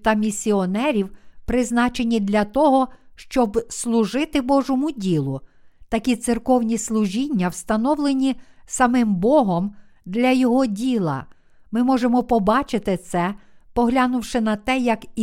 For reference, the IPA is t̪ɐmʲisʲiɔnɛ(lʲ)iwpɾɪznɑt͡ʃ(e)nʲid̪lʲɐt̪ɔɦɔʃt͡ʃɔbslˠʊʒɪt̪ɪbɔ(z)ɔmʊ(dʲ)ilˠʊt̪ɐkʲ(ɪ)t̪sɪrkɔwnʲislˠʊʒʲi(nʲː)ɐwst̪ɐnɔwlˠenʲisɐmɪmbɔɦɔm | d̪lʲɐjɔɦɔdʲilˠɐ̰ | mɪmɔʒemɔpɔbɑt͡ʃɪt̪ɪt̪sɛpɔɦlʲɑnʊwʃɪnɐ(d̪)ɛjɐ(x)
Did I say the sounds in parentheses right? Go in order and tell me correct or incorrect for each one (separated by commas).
incorrect, correct, incorrect, correct, incorrect, correct, incorrect, incorrect